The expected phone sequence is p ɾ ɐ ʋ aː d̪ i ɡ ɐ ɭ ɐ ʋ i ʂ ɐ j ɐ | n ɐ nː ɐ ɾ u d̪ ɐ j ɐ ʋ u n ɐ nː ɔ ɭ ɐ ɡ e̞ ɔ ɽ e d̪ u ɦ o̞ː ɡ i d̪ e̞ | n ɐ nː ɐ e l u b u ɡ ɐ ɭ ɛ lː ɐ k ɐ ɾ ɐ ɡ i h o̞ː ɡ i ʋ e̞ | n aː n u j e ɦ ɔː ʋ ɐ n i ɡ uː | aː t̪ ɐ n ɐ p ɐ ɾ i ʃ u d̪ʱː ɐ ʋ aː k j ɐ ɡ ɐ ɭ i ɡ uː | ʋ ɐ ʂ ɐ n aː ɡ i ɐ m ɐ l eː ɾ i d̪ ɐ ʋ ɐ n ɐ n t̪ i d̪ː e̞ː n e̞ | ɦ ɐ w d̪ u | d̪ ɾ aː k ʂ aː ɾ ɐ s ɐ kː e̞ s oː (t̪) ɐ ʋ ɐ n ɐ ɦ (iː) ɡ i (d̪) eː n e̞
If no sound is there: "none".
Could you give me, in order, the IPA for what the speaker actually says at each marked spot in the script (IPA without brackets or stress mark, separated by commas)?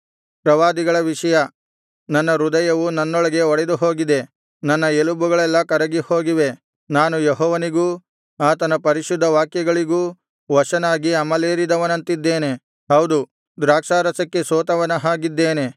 t̪, aː, d̪ː